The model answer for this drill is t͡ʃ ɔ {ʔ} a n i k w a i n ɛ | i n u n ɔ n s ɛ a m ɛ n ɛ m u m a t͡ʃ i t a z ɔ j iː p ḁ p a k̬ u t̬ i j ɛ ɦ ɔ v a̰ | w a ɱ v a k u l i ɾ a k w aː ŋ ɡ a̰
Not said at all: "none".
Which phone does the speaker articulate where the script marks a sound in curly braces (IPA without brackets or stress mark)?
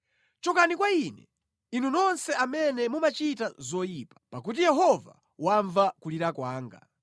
k